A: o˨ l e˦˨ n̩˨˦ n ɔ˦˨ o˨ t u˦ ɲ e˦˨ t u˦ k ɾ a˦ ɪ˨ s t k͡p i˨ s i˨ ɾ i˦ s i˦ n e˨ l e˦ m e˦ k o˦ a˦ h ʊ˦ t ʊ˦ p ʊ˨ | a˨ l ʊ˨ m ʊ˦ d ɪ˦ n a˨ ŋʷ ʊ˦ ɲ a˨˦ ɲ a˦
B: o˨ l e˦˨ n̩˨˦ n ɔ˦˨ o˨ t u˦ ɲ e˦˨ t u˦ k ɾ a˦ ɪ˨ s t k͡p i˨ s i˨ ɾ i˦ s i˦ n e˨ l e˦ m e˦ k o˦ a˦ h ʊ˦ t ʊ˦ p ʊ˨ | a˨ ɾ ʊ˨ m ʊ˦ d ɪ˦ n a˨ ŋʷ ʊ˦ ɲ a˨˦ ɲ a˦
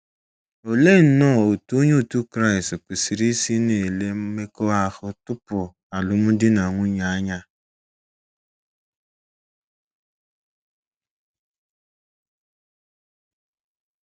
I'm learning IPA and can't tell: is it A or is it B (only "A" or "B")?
A